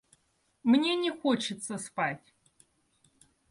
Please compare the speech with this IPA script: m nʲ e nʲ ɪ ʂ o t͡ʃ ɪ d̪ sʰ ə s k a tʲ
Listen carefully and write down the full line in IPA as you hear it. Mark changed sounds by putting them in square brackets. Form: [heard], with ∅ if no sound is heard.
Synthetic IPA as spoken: m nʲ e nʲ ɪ [x] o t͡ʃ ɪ [t̪] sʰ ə s [p] a tʲ

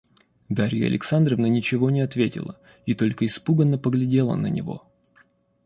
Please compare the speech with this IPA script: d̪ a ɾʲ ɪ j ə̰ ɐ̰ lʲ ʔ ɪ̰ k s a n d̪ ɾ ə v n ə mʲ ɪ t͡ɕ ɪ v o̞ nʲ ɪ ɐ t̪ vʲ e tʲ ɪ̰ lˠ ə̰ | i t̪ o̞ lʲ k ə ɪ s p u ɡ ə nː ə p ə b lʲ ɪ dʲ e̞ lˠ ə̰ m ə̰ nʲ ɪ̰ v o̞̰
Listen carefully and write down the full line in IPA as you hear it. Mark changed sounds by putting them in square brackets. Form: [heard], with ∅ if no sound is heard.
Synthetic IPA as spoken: d̪ a ɾʲ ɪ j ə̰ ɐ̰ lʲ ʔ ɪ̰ k s a n d̪ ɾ ə v n ə [nʲ] ɪ t͡ɕ ɪ v o̞ nʲ ɪ ɐ t̪ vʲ e tʲ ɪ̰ lˠ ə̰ | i t̪ o̞ lʲ k ə ɪ s p u ɡ ə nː ə p ə [ɡ] lʲ ɪ dʲ e̞ lˠ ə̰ [n] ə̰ nʲ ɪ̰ v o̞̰

